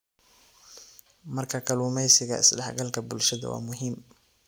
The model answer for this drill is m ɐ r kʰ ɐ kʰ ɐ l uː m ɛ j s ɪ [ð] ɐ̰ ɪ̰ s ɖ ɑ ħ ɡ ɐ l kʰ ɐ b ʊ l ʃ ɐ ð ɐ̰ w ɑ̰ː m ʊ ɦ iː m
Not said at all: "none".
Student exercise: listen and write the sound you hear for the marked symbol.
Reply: ɣ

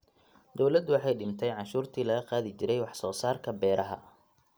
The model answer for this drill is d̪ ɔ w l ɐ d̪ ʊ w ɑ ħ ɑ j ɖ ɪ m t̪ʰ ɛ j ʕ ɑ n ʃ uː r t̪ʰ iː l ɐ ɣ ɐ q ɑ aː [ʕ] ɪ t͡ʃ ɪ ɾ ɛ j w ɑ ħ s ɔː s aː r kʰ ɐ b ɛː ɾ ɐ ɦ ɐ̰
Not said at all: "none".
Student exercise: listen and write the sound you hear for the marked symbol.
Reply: ð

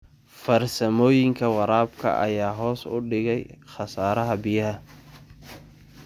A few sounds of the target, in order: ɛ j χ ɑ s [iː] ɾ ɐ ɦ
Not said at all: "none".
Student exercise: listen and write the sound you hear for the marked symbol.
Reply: aː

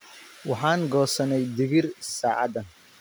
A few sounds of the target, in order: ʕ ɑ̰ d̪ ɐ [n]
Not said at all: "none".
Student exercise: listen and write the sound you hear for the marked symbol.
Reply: n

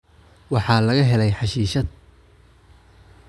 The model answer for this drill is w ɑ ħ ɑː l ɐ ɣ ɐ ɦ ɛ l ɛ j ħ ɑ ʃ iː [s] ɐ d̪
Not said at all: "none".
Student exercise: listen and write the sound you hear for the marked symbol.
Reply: ʃ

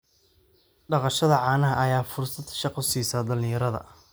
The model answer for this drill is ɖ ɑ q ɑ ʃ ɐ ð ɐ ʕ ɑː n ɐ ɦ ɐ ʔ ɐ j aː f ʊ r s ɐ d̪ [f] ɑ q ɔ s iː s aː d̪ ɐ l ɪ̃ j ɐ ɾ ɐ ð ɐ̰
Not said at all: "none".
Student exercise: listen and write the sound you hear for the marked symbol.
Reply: ʃ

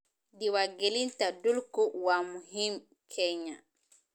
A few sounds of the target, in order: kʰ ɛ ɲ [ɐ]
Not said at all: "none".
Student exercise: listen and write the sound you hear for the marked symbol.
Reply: a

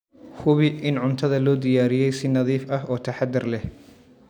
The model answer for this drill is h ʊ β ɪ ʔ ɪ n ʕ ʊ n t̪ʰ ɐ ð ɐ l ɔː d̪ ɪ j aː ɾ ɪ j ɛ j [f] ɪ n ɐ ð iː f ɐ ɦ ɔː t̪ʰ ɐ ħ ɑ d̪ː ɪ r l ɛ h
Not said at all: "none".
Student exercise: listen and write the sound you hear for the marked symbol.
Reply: s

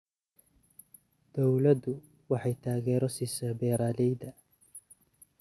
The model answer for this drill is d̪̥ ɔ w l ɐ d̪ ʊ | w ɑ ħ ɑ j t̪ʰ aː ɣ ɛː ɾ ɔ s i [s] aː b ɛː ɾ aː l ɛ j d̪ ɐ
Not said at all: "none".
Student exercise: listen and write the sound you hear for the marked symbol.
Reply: s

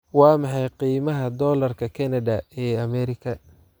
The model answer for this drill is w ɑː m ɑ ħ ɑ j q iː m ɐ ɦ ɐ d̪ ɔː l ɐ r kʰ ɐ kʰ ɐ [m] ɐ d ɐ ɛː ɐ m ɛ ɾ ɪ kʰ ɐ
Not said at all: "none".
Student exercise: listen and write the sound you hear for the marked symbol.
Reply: n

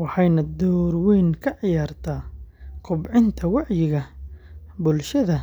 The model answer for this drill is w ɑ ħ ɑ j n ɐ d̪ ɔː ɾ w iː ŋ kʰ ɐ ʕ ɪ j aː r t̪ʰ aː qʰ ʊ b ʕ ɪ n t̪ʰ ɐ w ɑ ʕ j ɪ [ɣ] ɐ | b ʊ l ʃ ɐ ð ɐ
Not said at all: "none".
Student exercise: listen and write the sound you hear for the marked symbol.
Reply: ɣ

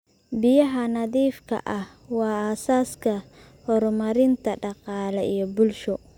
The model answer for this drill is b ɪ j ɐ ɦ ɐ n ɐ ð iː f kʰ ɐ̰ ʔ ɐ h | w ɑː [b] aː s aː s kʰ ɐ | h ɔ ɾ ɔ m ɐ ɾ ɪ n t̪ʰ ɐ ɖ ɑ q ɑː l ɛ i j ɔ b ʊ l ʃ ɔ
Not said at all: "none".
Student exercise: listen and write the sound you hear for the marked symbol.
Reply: none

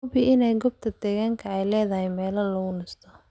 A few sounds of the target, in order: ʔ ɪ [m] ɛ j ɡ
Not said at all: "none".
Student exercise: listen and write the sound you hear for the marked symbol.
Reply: n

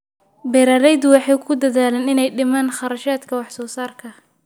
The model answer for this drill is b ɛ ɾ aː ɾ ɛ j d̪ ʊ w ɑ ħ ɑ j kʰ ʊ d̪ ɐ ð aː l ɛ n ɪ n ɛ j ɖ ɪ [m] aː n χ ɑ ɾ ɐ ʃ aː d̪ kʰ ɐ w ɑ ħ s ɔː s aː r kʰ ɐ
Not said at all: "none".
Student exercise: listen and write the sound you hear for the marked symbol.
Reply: m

